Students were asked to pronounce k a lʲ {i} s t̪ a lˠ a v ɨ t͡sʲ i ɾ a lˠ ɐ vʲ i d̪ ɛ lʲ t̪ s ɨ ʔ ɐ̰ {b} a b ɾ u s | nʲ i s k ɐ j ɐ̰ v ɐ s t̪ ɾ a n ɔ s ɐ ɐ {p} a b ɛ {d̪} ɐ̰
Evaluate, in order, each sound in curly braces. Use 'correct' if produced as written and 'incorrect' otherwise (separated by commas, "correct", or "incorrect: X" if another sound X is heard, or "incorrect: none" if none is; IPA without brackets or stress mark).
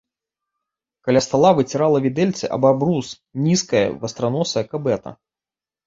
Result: incorrect: a, correct, incorrect: k, incorrect: t̪